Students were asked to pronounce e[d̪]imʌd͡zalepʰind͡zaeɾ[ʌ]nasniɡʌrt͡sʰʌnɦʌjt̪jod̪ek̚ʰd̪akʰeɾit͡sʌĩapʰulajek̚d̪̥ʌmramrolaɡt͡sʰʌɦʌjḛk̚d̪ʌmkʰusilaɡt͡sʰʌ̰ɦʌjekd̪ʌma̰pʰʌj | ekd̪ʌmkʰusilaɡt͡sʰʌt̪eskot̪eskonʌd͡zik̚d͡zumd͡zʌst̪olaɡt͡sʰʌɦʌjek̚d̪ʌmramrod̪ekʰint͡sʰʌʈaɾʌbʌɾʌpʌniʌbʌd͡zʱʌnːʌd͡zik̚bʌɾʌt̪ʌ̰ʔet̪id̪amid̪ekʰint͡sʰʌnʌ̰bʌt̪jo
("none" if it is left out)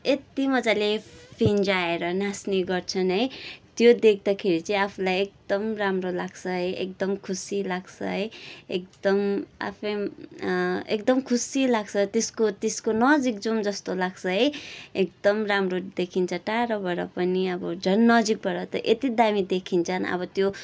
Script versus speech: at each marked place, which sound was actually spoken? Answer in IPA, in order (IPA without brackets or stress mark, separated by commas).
t̪, ʌ